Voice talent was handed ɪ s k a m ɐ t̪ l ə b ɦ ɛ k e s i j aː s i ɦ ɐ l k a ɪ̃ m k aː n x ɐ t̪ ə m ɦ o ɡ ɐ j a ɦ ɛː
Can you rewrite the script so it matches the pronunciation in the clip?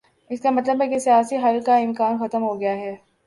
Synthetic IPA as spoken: ɪ s k a m ɐ t̪ l ə b ɦ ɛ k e s i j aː s i ɦ ɐ l k a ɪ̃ m k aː n x ɐ t̪ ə m ɦ o ɡ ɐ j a ɦ ɛː